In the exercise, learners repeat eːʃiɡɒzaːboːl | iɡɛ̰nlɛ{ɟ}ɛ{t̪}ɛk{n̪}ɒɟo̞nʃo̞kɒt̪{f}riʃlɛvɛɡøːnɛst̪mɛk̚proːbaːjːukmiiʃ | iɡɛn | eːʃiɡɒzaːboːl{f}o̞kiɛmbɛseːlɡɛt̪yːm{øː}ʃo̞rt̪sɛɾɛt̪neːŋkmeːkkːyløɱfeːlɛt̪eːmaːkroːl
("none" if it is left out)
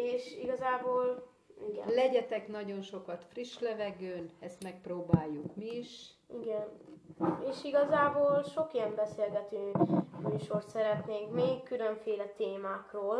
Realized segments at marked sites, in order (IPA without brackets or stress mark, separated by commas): ɟ, t̪, n̪, f, ʃ, yː